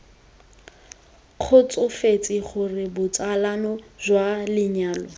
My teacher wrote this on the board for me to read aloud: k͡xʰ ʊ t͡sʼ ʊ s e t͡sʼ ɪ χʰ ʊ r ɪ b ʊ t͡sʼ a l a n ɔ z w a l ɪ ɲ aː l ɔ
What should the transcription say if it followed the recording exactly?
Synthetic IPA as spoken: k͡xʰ ʊ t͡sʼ ʊ f e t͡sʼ ɪ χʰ ʊ r ɪ b ʊ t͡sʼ a l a n ɔ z w a l ɪ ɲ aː l ɔ